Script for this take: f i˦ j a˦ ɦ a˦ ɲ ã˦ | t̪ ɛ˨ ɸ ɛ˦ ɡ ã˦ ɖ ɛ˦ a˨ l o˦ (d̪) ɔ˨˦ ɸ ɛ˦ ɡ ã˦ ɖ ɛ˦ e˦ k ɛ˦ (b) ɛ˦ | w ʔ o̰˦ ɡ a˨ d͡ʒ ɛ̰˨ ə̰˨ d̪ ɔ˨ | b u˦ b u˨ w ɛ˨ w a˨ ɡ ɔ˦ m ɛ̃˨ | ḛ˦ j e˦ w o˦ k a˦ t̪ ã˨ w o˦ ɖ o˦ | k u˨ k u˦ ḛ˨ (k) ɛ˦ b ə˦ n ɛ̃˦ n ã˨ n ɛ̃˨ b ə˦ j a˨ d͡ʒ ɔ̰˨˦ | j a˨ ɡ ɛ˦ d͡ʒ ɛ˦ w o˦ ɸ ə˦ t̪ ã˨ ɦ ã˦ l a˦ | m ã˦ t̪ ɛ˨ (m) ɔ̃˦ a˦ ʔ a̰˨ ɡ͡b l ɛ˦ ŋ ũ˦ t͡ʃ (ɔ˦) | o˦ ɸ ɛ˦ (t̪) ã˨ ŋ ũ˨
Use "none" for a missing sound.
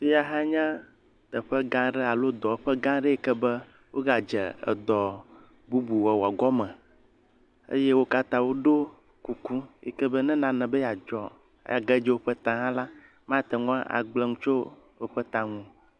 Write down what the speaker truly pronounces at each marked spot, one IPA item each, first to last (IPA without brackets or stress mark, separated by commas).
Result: d̪, b, k, ŋ, o˦, t̪